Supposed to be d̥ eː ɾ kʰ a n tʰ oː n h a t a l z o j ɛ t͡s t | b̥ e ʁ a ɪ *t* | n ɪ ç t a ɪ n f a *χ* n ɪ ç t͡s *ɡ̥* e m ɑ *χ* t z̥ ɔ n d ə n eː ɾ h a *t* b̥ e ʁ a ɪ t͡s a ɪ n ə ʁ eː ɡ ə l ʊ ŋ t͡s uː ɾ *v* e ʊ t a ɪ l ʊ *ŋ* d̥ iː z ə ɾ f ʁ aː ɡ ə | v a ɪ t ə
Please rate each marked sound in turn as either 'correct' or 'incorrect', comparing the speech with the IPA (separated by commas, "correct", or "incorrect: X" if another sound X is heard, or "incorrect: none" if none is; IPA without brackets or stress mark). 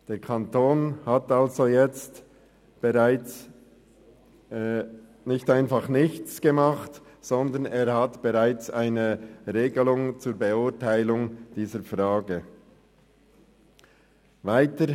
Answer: incorrect: t͡s, correct, correct, correct, correct, incorrect: b, correct